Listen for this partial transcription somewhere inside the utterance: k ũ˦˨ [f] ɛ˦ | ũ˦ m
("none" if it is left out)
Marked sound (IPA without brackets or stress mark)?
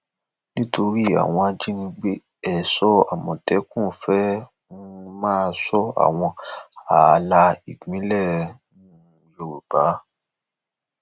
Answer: f